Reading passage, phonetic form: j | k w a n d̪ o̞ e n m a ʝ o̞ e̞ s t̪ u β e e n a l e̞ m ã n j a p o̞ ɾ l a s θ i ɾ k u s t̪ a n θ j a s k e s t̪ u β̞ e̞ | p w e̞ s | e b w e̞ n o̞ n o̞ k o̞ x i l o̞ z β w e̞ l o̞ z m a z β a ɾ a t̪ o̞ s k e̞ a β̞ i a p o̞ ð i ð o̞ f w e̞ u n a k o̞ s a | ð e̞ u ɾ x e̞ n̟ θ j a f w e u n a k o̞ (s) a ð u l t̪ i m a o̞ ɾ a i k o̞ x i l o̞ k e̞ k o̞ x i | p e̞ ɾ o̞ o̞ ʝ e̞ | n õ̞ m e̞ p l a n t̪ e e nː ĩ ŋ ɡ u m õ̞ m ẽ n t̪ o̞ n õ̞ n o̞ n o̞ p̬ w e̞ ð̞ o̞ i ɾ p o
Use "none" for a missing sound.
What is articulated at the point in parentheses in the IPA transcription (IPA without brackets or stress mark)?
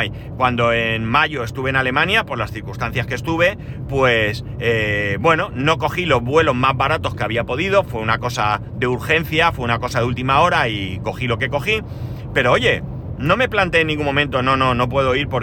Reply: s